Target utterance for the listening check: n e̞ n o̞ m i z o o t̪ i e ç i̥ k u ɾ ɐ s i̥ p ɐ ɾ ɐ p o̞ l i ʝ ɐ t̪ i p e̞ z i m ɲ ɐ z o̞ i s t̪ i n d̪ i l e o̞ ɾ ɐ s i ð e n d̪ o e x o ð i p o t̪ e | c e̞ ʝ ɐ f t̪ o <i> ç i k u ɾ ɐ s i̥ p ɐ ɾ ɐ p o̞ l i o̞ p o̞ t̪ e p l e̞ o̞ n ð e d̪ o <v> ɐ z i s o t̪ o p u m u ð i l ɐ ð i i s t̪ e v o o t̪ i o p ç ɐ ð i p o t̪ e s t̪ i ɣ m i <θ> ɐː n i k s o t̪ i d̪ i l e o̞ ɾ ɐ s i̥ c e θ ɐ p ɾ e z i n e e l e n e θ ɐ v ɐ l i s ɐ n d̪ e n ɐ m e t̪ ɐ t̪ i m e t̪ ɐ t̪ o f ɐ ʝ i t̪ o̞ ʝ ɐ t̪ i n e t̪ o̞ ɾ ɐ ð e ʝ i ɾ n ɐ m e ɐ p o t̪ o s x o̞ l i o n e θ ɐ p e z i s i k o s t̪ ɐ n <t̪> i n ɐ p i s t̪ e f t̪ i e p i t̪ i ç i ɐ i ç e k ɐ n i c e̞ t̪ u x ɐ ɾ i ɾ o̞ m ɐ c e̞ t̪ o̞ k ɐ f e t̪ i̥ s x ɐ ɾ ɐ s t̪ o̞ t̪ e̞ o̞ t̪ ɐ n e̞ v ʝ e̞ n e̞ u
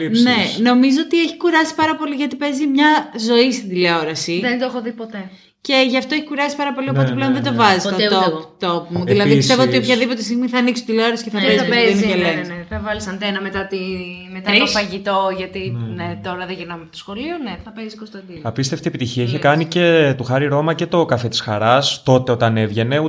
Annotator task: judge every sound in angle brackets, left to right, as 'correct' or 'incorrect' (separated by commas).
incorrect, correct, correct, incorrect